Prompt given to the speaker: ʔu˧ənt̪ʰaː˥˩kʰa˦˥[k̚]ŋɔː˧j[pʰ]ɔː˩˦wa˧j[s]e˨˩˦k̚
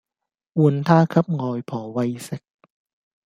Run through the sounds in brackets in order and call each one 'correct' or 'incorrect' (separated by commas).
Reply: incorrect, correct, correct